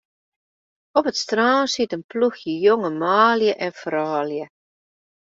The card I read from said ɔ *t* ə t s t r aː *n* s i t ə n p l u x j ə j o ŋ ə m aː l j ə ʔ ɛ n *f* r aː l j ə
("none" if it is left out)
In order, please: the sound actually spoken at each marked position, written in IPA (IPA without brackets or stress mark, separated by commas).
p, n, f